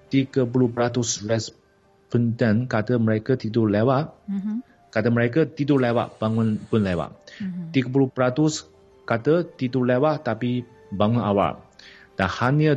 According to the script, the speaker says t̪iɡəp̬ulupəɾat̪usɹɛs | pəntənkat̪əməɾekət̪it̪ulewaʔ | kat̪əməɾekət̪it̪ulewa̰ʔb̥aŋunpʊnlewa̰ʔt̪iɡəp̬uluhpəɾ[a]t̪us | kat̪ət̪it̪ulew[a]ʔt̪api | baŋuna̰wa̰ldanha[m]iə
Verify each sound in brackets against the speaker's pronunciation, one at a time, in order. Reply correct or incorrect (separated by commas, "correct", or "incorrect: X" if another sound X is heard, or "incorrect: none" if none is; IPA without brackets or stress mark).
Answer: correct, correct, incorrect: n